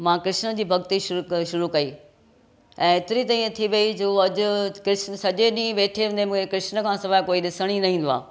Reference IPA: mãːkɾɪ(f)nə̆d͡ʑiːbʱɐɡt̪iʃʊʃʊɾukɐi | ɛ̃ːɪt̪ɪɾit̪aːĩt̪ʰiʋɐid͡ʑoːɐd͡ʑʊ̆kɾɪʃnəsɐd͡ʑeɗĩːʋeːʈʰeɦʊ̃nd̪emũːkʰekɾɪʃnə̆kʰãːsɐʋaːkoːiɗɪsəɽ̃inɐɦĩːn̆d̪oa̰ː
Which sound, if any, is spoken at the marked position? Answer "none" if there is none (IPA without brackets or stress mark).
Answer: ʃ